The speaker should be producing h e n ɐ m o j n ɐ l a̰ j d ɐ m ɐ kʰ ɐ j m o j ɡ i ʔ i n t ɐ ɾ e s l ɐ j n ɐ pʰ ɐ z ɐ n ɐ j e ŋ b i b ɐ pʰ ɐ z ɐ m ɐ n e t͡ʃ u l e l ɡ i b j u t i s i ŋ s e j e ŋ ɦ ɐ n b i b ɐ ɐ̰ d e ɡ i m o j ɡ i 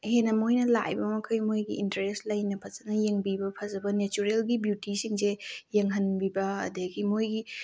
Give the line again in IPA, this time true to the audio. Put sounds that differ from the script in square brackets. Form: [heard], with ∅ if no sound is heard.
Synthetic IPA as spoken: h e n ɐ m o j n ɐ l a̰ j [b] ɐ m ɐ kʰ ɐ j m o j ɡ i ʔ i n t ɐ ɾ e s l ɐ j n ɐ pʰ ɐ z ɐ n ɐ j e ŋ b i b ɐ pʰ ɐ z ɐ [b] ɐ n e t͡ʃ u [ɾ] e l ɡ i b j u t i s i ŋ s e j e ŋ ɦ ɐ n b i b ɐ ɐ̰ d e ɡ i m o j ɡ i